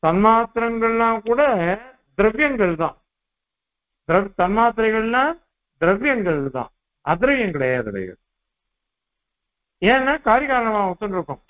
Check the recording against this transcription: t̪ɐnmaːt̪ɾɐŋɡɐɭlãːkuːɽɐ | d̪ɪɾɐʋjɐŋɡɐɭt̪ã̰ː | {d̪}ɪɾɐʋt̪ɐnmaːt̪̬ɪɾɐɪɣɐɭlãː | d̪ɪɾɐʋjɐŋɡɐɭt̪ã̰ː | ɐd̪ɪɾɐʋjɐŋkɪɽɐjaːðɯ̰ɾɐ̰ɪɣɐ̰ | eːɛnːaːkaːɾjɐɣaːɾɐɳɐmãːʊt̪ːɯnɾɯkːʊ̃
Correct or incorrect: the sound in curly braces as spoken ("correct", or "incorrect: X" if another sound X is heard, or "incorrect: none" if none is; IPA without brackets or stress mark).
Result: correct